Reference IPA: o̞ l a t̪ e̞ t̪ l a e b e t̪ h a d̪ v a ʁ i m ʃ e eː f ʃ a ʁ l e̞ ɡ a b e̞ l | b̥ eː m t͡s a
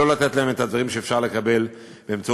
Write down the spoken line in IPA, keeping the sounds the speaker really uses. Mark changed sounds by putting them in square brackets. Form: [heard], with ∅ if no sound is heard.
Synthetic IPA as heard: o̞ l a t̪ e̞ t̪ l a e [m] e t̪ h a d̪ v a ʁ i m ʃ e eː f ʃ a ʁ l e̞ [k] a b e̞ l | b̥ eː m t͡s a